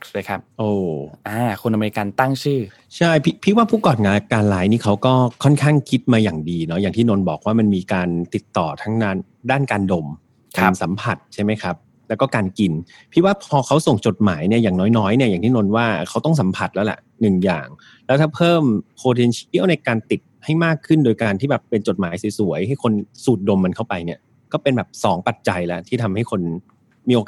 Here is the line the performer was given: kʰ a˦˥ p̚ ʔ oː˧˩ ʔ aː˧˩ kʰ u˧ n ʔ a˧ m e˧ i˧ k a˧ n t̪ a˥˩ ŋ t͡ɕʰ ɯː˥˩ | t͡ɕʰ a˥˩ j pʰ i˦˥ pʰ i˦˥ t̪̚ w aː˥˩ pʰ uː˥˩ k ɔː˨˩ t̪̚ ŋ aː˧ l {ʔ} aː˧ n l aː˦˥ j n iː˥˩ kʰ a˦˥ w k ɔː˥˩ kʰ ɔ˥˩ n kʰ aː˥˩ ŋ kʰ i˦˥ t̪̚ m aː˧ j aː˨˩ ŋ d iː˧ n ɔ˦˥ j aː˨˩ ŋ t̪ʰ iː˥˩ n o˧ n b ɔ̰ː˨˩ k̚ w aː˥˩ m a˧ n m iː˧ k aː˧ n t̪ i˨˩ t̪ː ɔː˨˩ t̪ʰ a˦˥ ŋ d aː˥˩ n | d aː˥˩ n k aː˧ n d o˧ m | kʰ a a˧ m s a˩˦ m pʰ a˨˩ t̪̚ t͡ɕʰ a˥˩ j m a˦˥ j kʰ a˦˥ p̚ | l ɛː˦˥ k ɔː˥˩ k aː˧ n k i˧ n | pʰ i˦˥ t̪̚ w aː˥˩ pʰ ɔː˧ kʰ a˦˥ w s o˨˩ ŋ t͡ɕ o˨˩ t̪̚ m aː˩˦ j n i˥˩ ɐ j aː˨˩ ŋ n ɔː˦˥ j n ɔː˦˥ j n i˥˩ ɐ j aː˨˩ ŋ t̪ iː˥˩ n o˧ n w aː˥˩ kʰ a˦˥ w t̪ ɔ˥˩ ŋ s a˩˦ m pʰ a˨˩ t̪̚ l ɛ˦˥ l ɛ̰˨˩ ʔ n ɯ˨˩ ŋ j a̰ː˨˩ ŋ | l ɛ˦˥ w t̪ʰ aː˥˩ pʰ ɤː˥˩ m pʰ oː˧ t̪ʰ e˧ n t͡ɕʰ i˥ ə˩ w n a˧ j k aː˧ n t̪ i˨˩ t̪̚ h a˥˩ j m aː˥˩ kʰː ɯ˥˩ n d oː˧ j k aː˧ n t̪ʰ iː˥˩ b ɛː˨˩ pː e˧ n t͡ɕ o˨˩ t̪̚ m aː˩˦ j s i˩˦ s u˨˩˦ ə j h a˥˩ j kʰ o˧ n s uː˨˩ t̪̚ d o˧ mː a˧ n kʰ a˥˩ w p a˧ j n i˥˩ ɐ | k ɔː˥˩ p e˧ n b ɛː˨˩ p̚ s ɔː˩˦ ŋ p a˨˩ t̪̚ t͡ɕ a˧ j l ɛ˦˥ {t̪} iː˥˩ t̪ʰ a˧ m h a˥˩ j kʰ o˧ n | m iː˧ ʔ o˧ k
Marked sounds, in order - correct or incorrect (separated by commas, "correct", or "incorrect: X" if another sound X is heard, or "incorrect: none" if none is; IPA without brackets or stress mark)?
incorrect: k, incorrect: t̪ʰ